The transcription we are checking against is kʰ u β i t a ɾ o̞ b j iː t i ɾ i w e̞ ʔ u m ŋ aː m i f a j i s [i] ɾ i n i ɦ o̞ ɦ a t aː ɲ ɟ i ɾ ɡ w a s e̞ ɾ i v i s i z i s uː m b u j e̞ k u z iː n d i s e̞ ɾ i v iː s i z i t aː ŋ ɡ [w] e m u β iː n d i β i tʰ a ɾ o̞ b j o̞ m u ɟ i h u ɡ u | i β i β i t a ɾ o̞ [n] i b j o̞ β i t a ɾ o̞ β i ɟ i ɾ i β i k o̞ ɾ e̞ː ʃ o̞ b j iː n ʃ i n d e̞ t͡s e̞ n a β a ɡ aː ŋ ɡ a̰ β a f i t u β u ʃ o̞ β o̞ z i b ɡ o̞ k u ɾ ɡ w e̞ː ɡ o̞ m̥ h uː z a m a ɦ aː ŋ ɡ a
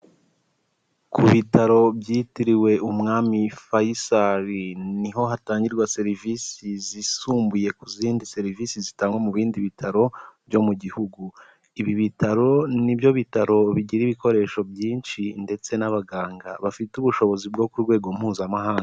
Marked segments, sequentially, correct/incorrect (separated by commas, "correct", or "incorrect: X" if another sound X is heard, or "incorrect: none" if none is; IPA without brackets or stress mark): incorrect: a, correct, correct